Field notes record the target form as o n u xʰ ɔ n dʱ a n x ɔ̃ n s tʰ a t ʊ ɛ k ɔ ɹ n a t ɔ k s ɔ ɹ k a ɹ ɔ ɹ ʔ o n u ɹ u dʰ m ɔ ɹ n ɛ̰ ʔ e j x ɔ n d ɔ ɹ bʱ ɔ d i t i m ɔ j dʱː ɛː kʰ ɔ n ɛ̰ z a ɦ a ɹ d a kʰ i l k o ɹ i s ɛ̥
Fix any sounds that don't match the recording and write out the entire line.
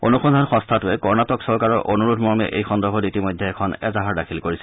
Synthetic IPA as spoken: o n u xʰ ɔ n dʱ a n x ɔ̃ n s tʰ a t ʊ ɛ k ɔ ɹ n a t ɔ k s ɔ ɹ k a ɹ ɔ ɹ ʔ o n u ɹ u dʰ m ɔ ɹ m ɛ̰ ʔ e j x ɔ n d ɔ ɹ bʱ ɔ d i t i m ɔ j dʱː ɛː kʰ ɔ n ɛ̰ z a ɦ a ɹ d a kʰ i l k o ɹ i s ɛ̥